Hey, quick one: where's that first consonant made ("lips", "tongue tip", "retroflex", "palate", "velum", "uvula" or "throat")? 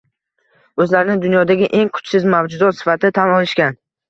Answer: tongue tip